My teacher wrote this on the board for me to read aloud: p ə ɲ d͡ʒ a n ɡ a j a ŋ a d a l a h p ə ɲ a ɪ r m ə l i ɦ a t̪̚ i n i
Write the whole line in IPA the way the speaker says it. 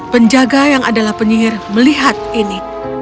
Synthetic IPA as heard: p ə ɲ d͡ʒ a ɡ a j a ŋ a d a l a h p ə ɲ i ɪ r m ə l i ɦ a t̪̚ i n i